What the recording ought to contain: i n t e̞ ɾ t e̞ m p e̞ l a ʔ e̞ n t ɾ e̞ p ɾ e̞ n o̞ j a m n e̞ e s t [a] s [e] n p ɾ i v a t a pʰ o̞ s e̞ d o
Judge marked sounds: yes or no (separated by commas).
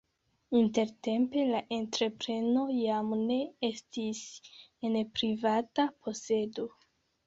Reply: no, yes